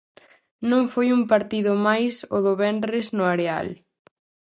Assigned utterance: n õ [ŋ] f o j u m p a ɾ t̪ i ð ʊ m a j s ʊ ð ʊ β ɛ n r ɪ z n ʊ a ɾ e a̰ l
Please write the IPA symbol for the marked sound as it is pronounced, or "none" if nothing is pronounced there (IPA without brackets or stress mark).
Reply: ŋ